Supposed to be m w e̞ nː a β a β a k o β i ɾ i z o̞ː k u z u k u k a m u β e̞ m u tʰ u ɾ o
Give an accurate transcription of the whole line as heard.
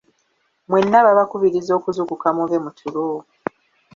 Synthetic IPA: m w e̞ nː a β a β a k u β i ɾ i z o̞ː k u z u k u k a m u β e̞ m u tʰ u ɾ o